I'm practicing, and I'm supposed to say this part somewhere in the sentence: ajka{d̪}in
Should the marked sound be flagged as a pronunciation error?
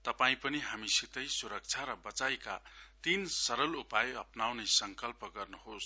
yes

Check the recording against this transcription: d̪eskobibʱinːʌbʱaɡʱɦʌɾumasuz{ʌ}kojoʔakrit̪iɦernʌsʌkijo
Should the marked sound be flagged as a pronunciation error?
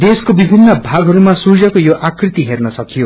no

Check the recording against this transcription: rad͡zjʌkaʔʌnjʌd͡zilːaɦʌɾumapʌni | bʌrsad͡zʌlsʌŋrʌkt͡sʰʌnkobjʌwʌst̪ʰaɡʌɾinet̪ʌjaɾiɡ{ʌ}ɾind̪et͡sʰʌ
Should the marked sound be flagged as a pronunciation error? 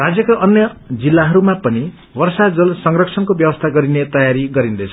no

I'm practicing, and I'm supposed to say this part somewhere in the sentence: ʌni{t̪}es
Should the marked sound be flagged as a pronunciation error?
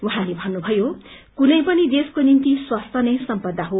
yes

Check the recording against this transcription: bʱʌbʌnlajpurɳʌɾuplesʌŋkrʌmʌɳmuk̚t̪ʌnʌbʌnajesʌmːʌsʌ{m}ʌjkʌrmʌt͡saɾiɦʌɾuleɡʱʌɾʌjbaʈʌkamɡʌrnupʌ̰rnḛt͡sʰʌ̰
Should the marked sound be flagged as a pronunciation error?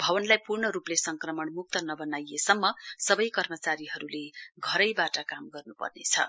yes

